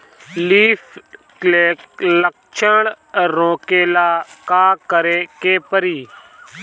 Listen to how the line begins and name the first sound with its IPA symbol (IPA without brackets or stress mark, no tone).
l